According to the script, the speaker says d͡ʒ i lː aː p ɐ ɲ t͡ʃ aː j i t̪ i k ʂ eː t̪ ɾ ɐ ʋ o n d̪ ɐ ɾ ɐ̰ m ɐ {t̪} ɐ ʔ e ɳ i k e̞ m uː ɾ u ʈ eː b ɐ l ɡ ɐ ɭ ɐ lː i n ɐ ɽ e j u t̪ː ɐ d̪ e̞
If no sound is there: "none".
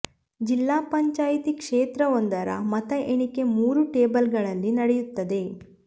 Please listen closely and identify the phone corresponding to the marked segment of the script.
t̪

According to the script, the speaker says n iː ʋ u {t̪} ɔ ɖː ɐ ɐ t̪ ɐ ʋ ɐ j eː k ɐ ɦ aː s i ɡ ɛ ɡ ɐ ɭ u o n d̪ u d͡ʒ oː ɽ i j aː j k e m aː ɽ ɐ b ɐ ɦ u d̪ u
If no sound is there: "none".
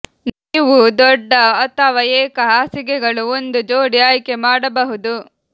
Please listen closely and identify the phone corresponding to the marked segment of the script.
d̪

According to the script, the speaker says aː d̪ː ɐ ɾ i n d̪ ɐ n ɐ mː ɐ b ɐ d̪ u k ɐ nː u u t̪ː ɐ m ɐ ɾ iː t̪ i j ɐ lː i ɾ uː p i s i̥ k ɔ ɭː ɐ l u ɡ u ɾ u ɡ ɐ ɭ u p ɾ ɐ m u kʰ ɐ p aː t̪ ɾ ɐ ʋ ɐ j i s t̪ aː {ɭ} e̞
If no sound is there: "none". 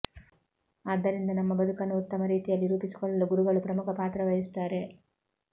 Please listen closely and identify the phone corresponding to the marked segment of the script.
ɾ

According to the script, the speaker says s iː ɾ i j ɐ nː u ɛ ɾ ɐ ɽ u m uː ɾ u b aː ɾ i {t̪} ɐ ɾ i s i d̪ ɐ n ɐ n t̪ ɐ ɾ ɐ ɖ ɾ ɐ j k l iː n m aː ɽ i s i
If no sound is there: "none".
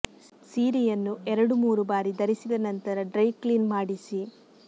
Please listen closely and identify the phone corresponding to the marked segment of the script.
d̪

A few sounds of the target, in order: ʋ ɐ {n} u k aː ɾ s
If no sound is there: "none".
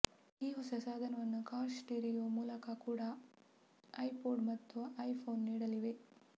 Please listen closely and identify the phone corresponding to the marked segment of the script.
nː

